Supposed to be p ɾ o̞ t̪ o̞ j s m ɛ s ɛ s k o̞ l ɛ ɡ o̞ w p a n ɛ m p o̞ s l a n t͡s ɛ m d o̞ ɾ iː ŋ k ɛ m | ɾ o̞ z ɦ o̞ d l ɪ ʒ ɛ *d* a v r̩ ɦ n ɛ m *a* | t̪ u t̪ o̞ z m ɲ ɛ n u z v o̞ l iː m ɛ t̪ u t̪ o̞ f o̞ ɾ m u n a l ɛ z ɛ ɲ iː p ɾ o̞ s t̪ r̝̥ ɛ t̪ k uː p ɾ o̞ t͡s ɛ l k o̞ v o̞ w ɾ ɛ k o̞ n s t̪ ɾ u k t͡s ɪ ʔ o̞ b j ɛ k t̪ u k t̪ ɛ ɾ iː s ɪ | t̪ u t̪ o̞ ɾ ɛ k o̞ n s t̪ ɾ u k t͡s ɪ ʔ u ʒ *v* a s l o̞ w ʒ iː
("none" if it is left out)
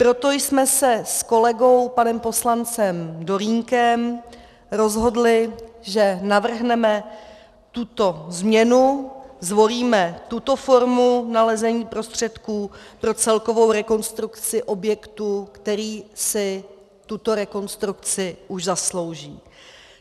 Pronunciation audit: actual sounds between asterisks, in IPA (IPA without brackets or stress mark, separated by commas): n, ɛ, z